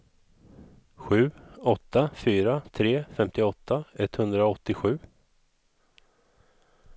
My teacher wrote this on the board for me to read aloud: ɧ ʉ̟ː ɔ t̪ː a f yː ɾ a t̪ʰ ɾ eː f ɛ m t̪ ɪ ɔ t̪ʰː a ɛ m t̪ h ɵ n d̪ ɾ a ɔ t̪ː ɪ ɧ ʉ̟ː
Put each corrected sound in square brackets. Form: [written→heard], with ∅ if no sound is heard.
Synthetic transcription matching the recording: ɧ ʉ̟ː ɔ t̪ː a f yː ɾ a t̪ʰ ɾ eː f ɛ m t̪ ɪ ɔ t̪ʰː a ɛ [m→∅] t̪ h ɵ n d̪ ɾ a ɔ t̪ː ɪ ɧ ʉ̟ː

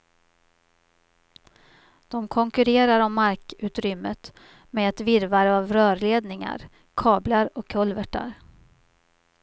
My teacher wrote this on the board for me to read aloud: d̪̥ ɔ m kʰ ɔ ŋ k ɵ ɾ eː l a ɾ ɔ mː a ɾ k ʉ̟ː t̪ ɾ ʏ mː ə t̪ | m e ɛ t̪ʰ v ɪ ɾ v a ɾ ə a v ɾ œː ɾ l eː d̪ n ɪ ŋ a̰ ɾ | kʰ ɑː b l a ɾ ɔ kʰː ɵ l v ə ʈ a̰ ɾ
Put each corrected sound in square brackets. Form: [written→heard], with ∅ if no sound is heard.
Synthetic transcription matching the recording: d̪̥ ɔ m kʰ ɔ ŋ k ɵ ɾ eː [l→ɾ] a ɾ ɔ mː a ɾ k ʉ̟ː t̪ ɾ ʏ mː ə t̪ | m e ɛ [t̪ʰ→t̪] v ɪ ɾ v a ɾ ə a v ɾ œː ɾ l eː d̪ n ɪ ŋ a̰ ɾ | kʰ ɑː b l a ɾ ɔ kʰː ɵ l v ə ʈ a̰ ɾ

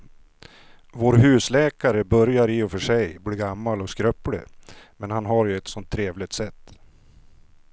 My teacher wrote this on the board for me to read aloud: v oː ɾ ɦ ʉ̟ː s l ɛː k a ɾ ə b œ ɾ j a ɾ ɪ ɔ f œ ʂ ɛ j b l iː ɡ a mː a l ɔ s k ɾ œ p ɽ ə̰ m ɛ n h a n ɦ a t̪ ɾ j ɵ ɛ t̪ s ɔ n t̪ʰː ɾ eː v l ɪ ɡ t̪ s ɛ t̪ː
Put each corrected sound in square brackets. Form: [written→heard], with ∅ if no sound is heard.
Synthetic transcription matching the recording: v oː ɾ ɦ ʉ̟ː s l ɛː k a ɾ ə b œ ɾ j a ɾ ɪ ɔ f œ ʂ ɛ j b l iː ɡ a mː a l ɔ s k ɾ œ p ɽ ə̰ m ɛ n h a n ɦ a [t̪→∅] ɾ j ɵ ɛ t̪ s ɔ n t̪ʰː ɾ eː v l ɪ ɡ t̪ s ɛ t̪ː

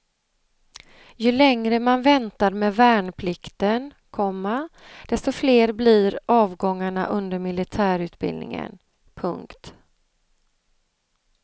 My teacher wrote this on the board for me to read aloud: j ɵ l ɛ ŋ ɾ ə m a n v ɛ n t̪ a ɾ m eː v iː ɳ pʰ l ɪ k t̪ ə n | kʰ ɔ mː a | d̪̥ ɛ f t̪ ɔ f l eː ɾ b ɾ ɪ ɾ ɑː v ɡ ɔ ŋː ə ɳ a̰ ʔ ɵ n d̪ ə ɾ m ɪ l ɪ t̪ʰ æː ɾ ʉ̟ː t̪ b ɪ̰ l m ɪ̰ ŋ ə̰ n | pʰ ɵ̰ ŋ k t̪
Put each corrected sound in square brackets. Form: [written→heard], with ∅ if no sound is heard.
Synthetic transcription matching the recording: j ɵ l ɛ ŋ ɾ ə m a n v ɛ n t̪ a ɾ m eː v [iː→æː] ɳ pʰ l ɪ k t̪ ə n | kʰ ɔ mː a | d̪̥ ɛ [f→s] t̪ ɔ f l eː ɾ b [ɾ→l] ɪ ɾ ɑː v ɡ ɔ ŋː [ə→a] ɳ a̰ ʔ ɵ n d̪ ə ɾ m ɪ l ɪ t̪ʰ æː ɾ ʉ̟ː t̪ b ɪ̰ l [m→n] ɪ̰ ŋ ə̰ n | pʰ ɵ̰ ŋ k t̪

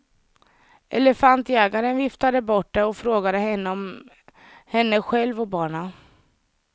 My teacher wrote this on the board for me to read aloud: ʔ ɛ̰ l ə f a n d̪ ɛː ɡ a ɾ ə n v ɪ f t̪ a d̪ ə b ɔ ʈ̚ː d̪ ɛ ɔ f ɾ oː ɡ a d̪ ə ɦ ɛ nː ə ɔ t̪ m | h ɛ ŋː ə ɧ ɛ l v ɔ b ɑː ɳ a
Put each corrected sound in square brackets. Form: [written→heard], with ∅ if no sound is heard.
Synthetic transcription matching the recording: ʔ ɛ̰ l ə f a n [d̪→t̪] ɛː ɡ a ɾ ə n v ɪ f t̪ a d̪ ə b ɔ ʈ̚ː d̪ ɛ ɔ f ɾ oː ɡ a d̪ ə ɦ ɛ nː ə ɔ [t̪→∅] m | h ɛ [ŋː→nː] ə ɧ ɛ l v ɔ b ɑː ɳ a

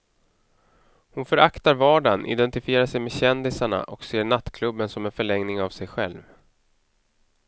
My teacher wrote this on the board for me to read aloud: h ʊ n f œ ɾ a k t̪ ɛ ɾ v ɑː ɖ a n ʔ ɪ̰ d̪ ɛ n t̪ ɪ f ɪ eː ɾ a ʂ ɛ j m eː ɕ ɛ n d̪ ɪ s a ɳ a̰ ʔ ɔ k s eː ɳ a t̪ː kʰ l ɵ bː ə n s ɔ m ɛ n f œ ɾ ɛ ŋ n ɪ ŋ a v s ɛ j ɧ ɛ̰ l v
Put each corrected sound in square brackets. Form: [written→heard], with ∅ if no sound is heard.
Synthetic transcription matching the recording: h ʊ n f œ ɾ a k t̪ [ɛ→a] ɾ v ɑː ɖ a n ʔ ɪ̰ d̪ ɛ n t̪ ɪ f ɪ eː ɾ a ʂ ɛ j m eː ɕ ɛ n d̪ ɪ s a ɳ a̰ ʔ ɔ k s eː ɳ a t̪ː kʰ l ɵ bː ə n s ɔ m ɛ n f œ [ɾ→ɭ] ɛ ŋ n ɪ ŋ a v s ɛ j ɧ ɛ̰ l v

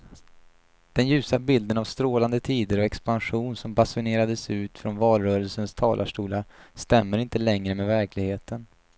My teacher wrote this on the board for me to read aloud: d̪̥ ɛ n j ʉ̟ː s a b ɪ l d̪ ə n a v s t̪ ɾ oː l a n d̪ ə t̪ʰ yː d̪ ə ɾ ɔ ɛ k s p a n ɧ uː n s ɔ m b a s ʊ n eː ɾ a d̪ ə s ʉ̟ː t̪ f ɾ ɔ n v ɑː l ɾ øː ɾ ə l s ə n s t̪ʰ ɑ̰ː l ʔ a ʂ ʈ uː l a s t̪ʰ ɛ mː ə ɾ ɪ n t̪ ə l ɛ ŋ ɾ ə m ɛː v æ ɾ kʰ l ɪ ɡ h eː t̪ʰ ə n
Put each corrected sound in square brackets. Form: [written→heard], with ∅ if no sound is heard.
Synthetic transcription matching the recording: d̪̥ ɛ n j ʉ̟ː s a b ɪ l d̪ ə n a v s t̪ ɾ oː l a n d̪ ə t̪ʰ [yː→iː] d̪ ə ɾ ɔ ɛ k s p a n ɧ uː n s ɔ m b a s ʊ n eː ɾ a d̪ ə s ʉ̟ː t̪ f ɾ ɔ n v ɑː l ɾ [øː→œː] ɾ ə l s ə n s t̪ʰ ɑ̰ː l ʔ a ʂ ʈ uː l a s [t̪ʰ→t̪] ɛ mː ə ɾ ɪ n t̪ ə l ɛ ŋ ɾ ə m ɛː v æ ɾ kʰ l ɪ ɡ h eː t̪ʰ ə n

